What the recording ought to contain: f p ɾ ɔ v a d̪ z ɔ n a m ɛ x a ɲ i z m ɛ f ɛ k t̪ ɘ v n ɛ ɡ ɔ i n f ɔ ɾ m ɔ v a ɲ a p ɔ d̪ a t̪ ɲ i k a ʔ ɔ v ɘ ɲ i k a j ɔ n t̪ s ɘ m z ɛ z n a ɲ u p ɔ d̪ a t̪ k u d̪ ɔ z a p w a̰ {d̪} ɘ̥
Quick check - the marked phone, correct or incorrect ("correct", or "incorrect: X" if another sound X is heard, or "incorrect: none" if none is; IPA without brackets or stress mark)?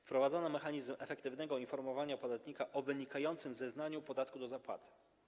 incorrect: t̪